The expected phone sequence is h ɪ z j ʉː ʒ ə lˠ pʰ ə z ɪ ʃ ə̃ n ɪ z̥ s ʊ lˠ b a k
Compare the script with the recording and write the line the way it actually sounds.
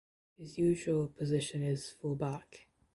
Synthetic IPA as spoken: h ɪ z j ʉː ʒ ə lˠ pʰ ə z ɪ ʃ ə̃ n ɪ z̥ f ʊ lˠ b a k